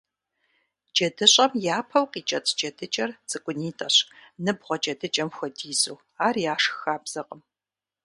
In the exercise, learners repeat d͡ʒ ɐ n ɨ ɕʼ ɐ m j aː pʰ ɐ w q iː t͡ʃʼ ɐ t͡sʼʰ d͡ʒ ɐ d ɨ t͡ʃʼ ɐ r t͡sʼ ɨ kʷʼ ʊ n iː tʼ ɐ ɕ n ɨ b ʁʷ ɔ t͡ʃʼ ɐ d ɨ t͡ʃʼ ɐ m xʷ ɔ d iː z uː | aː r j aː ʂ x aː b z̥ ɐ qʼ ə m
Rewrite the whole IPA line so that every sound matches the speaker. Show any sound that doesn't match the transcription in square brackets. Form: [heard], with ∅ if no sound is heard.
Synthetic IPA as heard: d͡ʒ ɐ [d] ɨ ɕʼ ɐ m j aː pʰ ɐ w q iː t͡ʃʼ ɐ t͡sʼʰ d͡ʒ ɐ d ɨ t͡ʃʼ ɐ r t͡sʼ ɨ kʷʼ ʊ n iː tʼ ɐ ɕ n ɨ b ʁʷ ɔ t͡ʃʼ ɐ d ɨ t͡ʃʼ ɐ m xʷ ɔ d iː z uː | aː r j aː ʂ x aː b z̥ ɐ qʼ ə m